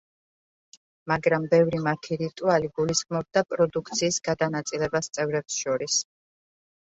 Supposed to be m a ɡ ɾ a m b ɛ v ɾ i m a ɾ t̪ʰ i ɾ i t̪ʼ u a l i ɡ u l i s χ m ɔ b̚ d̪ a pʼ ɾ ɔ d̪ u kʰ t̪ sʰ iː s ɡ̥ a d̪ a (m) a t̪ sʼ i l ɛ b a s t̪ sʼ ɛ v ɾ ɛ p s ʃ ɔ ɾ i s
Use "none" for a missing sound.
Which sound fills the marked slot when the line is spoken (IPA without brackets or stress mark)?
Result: n